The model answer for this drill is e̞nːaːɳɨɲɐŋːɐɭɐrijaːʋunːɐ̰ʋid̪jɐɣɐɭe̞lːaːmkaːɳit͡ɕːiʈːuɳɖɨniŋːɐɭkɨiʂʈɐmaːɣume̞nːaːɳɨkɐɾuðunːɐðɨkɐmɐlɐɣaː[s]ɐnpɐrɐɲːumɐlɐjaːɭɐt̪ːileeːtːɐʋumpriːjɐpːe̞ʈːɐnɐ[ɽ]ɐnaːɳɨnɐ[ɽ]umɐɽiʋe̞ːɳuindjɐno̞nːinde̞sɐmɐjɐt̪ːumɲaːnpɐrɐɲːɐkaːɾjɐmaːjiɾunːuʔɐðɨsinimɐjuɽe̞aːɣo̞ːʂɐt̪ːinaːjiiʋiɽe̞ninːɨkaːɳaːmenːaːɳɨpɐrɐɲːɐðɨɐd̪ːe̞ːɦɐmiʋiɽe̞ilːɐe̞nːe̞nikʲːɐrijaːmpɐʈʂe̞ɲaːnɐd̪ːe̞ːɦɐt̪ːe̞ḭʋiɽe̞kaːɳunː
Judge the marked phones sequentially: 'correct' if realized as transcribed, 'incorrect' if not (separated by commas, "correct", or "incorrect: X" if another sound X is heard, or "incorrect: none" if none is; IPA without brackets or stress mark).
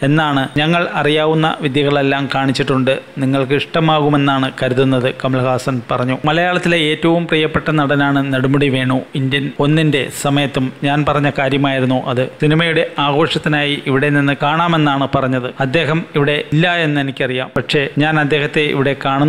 correct, correct, correct